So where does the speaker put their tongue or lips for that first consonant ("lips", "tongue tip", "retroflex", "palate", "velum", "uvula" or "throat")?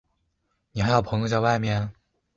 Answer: tongue tip